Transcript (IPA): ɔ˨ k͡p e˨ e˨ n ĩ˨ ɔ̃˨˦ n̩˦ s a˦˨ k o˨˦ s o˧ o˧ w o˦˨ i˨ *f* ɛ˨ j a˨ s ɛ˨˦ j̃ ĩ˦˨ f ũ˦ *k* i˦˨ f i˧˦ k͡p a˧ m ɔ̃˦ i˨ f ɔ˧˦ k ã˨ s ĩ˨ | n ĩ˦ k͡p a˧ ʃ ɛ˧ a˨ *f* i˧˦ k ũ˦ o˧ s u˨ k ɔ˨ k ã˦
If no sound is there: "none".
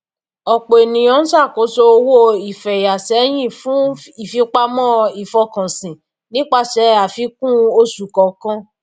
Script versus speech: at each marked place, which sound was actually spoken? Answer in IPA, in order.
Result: f, none, f

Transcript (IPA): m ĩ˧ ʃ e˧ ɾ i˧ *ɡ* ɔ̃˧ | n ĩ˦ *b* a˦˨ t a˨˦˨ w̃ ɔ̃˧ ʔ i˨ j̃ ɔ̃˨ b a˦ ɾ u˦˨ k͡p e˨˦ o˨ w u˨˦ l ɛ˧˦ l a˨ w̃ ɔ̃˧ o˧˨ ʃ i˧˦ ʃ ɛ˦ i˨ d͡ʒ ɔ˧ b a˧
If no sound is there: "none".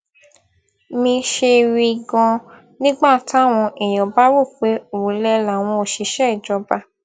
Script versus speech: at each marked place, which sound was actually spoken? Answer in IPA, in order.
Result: ɡ, ɡ͡b

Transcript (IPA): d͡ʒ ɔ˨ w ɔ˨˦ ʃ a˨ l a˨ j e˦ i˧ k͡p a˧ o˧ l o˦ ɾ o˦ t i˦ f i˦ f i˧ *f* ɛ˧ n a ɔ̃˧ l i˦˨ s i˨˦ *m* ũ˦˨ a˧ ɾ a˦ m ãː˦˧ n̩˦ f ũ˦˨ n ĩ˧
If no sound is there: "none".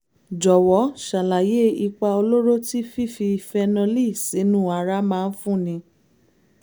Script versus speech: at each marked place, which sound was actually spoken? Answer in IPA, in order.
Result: f, n

